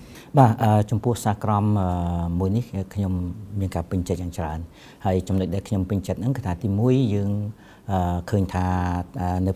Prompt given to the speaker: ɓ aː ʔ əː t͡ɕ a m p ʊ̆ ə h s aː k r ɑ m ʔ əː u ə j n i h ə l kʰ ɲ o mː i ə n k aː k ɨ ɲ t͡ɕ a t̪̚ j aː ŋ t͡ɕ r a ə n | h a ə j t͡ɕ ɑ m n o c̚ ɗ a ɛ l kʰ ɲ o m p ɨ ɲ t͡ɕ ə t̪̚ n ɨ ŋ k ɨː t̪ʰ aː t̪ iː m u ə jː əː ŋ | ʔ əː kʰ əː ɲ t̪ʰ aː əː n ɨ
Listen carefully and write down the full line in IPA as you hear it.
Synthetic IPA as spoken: ɓ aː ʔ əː t͡ɕ ɑ m p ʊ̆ ə h s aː k r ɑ m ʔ əː u ə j n i h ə kʰ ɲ o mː i ə n k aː p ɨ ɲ t͡ɕ ə t̪̚ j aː ŋ t͡ɕ r a ə n | h a ə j t͡ɕ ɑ m n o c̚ ɗ a ɛ l kʰ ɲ o m p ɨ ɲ t͡ɕ ə t̪̚ n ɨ ŋ k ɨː t̪ʰ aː t̪ iː m u ə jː əː ŋ | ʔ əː kʰ əː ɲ t̪ʰ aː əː n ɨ

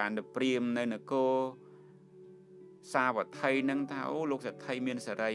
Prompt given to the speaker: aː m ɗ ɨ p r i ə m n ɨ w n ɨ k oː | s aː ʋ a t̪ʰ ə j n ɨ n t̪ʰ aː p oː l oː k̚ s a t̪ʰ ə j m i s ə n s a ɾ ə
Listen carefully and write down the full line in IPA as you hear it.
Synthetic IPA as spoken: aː n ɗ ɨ p r i ə m n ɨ w n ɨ k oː | s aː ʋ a t̪ʰ ə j n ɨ ŋ t̪ʰ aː ʔ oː l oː k̚ s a t̪ʰ ə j m i ə n s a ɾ ə

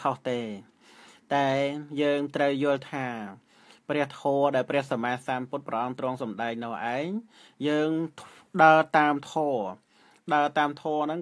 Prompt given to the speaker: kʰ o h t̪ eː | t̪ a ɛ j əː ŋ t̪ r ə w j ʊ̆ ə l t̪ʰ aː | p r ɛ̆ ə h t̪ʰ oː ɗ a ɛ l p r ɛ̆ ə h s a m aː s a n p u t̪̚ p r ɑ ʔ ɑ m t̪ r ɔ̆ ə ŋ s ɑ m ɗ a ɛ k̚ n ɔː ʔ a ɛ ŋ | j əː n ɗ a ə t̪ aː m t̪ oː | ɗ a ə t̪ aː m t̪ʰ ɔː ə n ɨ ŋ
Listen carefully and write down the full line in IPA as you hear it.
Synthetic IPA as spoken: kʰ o h t̪ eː | t̪ a ɛ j əː ŋ t̪ r ə w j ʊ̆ ə l t̪ʰ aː | p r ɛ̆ ə h t̪ʰ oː ɗ a ɛ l p r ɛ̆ ə h s a m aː s a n p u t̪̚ p r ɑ ʔ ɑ m t̪ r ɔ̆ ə ŋ s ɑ m ɗ a ɛ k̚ n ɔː ʔ a ɛ ŋ | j əː ŋ ɗ a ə t̪ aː m t̪ʰ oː | ɗ a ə t̪ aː m t̪ʰ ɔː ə n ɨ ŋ

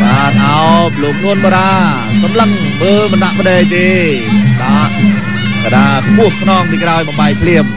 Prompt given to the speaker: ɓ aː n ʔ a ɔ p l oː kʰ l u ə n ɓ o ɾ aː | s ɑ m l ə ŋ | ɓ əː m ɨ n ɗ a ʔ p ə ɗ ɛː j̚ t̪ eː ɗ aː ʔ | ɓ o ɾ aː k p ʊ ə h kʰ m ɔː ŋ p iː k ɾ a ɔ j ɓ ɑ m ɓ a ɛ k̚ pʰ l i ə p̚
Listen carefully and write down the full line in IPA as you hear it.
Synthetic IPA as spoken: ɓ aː n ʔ a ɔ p l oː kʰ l u ə n ɓ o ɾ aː | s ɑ m l ə ŋ | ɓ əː m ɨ n ɗ a ʔ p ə ɗ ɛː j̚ t̪ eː ɗ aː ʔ | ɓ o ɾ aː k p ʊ ə h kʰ n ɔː ŋ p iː k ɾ a ɔ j ɓ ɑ m ɓ a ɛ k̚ pʰ l i ə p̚

